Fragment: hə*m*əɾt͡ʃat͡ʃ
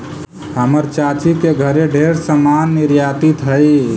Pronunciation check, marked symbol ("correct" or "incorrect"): correct